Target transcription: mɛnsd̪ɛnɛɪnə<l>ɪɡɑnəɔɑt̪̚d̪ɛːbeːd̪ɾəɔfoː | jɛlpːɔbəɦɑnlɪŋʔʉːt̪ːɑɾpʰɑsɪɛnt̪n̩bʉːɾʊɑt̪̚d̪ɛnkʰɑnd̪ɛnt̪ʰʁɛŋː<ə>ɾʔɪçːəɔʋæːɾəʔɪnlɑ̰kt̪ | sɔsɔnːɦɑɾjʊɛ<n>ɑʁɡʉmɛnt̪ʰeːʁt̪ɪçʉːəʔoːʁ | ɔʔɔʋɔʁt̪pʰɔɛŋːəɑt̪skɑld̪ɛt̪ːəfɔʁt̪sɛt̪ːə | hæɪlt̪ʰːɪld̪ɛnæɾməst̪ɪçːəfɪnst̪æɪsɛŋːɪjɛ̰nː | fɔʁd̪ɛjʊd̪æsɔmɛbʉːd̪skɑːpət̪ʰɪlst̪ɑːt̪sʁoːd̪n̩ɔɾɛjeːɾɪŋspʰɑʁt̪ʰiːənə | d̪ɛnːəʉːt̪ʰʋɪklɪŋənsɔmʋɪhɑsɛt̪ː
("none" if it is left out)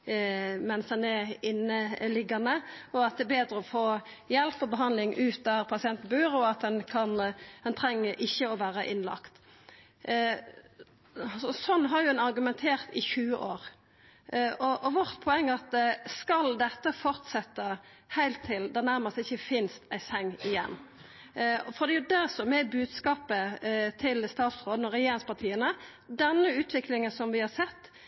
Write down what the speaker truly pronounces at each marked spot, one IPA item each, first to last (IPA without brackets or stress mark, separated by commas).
l, ə, n